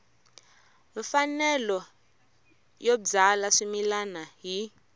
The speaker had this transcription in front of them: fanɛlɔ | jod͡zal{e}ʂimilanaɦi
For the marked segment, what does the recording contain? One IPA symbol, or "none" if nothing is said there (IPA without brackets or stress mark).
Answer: a